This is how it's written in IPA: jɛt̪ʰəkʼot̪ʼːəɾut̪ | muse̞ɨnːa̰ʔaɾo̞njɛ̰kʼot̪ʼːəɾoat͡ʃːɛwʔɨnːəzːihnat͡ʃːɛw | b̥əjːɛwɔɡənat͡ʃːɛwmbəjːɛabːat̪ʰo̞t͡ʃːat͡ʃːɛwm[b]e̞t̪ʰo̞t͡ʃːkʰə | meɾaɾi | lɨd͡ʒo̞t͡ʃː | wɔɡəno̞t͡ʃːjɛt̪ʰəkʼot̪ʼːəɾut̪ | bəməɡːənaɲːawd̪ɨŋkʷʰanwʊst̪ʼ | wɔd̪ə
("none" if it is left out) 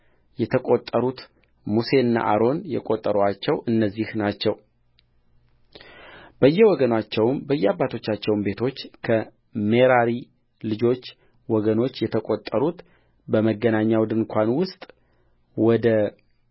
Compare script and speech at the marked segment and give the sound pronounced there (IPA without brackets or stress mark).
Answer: b